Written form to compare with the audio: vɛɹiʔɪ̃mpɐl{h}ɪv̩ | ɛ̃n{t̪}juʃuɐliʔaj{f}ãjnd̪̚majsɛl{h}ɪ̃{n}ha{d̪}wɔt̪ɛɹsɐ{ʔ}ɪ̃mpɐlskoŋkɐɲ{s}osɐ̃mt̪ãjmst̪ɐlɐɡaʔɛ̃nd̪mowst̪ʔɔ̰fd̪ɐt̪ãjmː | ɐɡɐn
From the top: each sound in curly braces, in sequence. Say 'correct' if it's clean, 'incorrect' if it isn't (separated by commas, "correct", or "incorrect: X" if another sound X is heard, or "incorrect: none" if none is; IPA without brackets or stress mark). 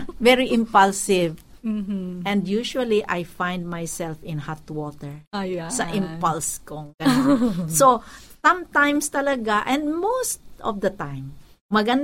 incorrect: s, incorrect: d̪, correct, incorrect: f, correct, incorrect: t̪, correct, correct